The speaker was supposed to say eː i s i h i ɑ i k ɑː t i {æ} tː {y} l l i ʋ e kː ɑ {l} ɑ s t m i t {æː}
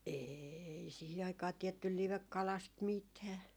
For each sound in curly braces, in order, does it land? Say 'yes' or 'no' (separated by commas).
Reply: no, yes, yes, yes